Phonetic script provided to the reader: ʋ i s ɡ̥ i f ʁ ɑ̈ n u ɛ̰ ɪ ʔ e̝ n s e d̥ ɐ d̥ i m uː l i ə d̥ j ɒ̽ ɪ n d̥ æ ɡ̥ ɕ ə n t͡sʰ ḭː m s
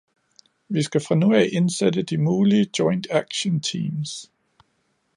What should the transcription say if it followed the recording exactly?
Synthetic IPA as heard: ʋ i s ɡ̥ æ f ʁ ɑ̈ n u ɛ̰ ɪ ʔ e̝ n s e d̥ ə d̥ i m uː l i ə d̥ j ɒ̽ ɪ n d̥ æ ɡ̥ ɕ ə n t͡sʰ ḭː m s